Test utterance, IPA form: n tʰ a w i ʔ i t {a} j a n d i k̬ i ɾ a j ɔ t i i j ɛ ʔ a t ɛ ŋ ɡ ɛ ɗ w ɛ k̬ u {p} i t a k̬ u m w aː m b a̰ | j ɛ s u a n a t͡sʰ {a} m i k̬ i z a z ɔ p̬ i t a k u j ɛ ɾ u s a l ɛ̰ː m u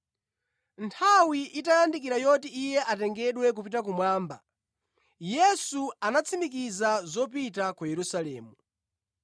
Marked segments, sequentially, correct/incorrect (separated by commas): correct, correct, incorrect